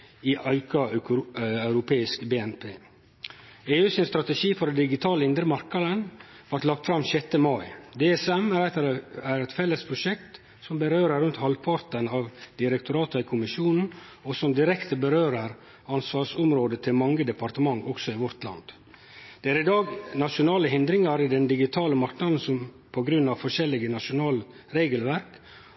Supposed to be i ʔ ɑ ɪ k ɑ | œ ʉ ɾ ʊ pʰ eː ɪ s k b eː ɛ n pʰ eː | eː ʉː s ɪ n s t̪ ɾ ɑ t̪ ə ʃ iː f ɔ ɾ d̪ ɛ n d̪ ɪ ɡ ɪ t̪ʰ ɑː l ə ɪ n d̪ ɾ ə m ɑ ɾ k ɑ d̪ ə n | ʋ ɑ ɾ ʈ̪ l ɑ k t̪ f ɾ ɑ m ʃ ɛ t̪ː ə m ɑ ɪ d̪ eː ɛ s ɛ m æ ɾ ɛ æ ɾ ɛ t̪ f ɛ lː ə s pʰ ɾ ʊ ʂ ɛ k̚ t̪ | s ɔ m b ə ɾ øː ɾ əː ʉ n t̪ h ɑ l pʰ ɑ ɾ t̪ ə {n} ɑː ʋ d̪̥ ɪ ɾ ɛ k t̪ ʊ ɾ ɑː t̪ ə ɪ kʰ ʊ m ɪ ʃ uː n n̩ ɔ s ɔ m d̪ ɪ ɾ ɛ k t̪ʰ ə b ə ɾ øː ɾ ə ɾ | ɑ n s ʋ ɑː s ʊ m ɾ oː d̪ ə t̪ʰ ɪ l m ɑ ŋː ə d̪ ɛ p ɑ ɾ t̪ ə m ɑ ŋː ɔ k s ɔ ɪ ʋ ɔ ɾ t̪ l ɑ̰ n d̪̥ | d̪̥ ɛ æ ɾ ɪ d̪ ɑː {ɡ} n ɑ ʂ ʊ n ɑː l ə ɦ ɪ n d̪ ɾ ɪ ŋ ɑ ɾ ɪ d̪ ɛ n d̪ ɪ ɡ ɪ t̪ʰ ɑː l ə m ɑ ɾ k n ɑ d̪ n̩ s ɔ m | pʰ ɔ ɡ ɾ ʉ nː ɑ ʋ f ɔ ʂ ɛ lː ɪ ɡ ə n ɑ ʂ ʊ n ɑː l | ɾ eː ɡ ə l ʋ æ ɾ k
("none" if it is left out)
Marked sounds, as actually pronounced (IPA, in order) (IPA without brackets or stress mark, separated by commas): n, ɡ